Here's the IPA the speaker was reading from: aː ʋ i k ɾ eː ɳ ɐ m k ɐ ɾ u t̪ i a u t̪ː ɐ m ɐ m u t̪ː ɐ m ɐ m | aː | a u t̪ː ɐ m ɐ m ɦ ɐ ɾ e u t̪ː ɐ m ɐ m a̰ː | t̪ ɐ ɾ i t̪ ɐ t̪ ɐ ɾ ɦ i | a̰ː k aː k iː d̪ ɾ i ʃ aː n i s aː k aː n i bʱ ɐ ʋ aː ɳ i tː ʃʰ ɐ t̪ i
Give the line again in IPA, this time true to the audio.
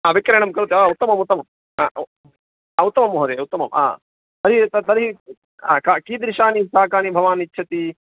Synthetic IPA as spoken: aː ʋ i k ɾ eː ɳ ɐ m k ɐ ɾ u t̪ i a u t̪ː ɐ m ɐ m u t̪ː ɐ m ɐ m | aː | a u t̪ː ɐ m ɐ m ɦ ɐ ɾ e u t̪ː ɐ m ɐ m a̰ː | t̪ ɐ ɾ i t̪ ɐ t̪ ɐ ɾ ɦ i | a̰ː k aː k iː d̪ ɾ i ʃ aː n i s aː k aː n i bʱ ɐ ʋ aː n i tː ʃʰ ɐ t̪ i